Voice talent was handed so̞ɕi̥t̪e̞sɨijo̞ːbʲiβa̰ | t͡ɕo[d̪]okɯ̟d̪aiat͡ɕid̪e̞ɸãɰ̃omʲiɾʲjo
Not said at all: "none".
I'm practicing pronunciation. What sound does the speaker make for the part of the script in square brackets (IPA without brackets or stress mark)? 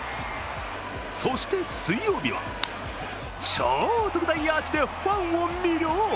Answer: t̪